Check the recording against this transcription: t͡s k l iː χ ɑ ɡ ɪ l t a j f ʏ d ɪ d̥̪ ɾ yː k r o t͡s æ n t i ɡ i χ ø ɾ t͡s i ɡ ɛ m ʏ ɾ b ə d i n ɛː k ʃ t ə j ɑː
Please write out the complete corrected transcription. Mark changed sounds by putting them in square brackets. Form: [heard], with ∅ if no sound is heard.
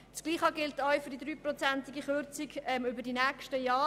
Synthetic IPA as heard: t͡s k l iː χ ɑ ɡ ɪ l t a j f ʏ d [i] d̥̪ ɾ yː [p] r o t͡s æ n t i ɡ i χ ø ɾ t͡s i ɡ ɛ m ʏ [∅] b ə d i n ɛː k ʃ t ə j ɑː